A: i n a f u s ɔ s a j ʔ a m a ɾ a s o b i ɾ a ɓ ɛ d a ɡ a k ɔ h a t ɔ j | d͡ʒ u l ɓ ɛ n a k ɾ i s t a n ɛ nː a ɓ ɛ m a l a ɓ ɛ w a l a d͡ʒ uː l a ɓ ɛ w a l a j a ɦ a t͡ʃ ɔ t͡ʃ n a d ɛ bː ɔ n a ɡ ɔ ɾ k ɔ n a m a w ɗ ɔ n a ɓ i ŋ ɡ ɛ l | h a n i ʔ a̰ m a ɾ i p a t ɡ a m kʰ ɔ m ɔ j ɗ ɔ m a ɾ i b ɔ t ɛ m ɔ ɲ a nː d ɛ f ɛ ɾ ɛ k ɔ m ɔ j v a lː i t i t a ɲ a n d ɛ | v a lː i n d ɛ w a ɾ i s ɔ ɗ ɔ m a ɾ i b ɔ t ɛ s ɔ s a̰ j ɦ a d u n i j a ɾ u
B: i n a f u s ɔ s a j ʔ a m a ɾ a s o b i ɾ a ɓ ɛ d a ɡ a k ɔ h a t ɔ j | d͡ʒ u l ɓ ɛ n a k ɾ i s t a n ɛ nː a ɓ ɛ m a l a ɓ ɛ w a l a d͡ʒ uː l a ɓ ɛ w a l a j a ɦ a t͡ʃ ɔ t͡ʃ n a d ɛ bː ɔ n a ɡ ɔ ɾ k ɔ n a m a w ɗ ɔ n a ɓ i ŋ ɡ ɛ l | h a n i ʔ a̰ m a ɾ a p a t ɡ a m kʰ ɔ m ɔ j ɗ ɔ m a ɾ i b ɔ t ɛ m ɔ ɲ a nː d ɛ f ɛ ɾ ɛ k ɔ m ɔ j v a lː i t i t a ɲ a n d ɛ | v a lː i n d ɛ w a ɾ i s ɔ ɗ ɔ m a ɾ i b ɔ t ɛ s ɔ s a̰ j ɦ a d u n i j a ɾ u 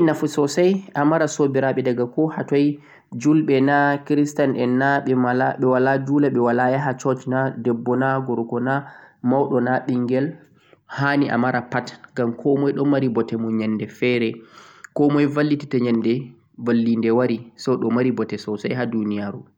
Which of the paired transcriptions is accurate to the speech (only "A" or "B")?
B